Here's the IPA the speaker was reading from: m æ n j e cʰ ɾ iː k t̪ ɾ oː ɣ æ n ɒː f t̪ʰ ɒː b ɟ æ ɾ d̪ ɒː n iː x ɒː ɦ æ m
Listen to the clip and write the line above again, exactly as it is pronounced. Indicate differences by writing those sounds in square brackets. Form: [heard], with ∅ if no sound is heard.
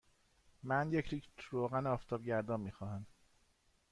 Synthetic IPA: m æ n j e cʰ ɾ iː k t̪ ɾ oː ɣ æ n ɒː f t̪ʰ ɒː b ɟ æ ɾ d̪ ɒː [m] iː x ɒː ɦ æ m